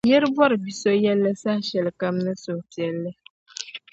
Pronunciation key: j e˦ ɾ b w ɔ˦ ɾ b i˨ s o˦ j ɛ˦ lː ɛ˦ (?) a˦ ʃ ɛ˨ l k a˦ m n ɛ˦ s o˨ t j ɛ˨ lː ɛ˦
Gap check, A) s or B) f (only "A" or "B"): A